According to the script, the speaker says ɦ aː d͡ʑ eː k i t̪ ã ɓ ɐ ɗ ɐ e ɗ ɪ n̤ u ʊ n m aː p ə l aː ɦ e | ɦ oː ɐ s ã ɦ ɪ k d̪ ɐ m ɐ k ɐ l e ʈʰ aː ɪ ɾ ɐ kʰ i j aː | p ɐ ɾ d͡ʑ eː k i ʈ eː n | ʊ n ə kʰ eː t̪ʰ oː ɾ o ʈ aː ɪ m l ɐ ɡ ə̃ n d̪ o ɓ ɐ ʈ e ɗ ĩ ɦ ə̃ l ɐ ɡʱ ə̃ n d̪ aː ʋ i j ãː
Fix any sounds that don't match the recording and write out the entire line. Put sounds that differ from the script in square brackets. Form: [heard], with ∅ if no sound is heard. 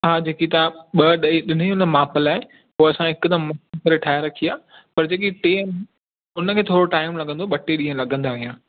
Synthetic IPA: ɦ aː d͡ʑ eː k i t̪ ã ɓ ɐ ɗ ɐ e ɗ ɪ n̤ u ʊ n m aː p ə l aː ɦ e | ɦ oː ɐ s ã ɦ ɪ k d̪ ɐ m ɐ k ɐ [ɾ] e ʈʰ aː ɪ ɾ ɐ kʰ i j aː | p ɐ ɾ d͡ʑ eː k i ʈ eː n | ʊ n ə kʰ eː t̪ʰ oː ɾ o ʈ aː ɪ m l ɐ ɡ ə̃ n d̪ o ɓ ɐ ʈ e ɗ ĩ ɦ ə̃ l ɐ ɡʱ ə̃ n d̪ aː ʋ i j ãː

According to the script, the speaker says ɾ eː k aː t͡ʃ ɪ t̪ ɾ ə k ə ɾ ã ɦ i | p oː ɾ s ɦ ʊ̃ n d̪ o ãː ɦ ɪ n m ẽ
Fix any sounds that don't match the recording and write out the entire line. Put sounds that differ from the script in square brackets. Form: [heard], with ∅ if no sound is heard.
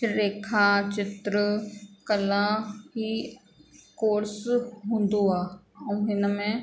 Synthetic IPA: ɾ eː [kʰ] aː t͡ʃ ɪ t̪ ɾ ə k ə [l] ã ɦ i | [k] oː ɾ s ɦ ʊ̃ n d̪ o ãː ɦ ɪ n m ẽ

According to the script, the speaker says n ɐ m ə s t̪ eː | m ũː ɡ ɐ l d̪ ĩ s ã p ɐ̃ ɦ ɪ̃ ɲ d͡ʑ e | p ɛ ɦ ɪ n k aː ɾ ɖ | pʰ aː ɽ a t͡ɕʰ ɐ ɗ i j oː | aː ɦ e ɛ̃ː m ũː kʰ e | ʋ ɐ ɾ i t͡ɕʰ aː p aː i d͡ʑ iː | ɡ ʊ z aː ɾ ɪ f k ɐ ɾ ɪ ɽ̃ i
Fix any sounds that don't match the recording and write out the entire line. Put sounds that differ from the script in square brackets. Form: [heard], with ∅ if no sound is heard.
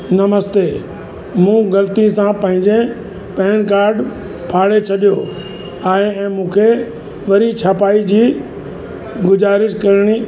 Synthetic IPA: n ɐ m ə s t̪ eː | m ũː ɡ ɐ l [t̪] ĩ s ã p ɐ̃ ɦ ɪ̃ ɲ d͡ʑ e | p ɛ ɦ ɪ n k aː ɾ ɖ | pʰ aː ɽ [e] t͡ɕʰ ɐ ɗ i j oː | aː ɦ e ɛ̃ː m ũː kʰ e | ʋ ɐ ɾ i t͡ɕʰ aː p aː i d͡ʑ iː | ɡ ʊ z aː ɾ ɪ [ʃ] k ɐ ɾ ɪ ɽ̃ i

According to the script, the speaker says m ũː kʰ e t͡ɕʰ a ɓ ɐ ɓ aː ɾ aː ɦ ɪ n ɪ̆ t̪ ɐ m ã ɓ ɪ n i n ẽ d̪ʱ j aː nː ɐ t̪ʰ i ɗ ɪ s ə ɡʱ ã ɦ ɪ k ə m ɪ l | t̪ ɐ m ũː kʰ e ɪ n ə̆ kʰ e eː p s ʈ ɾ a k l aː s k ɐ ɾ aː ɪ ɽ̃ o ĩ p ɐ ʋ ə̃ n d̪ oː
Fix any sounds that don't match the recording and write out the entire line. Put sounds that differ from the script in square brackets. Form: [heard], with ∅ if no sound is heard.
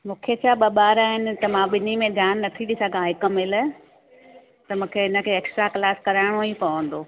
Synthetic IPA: m ũː kʰ e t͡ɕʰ a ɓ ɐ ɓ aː ɾ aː ɦ ɪ n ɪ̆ t̪ ɐ m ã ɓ ɪ n i [m] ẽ d̪ʱ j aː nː ɐ t̪ʰ i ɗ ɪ s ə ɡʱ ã ɦ ɪ k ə m ɪ l | t̪ ɐ m ũː kʰ e ɪ n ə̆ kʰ e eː [k] s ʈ ɾ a k l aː s k ɐ ɾ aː ɪ ɽ̃ o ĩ p ɐ ʋ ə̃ n d̪ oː

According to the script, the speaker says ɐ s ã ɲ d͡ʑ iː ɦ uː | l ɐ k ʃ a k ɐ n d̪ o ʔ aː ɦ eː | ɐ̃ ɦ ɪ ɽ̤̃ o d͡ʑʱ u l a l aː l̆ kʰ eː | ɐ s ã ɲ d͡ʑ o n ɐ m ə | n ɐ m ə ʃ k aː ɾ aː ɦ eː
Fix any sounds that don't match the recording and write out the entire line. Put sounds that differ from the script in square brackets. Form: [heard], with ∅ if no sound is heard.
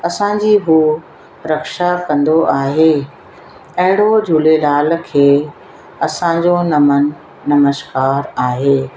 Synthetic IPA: ɐ s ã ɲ d͡ʑ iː ɦ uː | [ɾ] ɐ k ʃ a k [ɐ̃] n d̪ o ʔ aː ɦ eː | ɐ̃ ɦ ɪ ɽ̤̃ o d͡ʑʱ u l [e] l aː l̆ kʰ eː | ɐ s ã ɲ d͡ʑ o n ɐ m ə | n ɐ m ə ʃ k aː ɾ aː ɦ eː

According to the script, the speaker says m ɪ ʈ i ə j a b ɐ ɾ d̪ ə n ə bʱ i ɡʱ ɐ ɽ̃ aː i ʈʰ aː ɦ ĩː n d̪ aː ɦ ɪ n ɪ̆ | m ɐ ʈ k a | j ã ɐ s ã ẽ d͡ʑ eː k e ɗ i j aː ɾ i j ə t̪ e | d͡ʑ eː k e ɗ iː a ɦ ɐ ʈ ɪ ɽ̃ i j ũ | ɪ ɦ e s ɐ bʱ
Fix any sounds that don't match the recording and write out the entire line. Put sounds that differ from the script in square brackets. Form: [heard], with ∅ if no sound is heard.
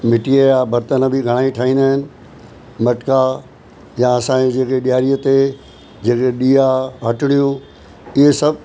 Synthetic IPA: m ɪ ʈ i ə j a b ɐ ɾ [t̪] ə n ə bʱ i ɡʱ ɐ ɽ̃ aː i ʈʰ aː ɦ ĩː n d̪ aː ɦ ɪ n ɪ̆ | m ɐ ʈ k a | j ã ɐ s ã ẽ d͡ʑ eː k e ɗ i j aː ɾ i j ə t̪ e | d͡ʑ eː k e ɗ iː a ɦ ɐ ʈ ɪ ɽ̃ i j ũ | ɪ ɦ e s ɐ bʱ

